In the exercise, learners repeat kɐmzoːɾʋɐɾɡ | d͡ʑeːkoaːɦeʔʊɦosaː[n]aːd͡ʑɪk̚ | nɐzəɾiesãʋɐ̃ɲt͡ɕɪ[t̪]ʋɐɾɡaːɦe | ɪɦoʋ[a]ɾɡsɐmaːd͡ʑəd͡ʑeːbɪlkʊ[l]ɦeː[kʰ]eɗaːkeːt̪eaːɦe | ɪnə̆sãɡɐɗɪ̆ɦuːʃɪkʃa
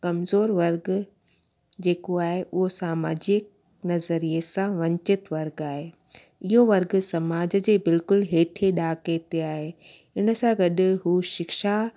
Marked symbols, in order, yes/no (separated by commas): no, yes, no, yes, no